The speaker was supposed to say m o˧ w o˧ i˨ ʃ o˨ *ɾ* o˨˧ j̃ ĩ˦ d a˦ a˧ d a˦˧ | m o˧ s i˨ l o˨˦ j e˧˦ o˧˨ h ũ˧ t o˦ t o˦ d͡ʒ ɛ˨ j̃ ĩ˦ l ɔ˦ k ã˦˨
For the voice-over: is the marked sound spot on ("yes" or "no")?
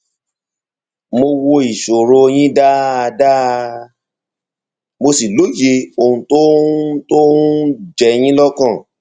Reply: yes